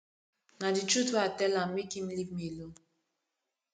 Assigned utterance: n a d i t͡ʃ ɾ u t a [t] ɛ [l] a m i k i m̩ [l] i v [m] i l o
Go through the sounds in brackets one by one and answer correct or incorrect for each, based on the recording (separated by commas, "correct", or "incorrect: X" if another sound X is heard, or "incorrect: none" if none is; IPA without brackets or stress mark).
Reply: correct, correct, correct, correct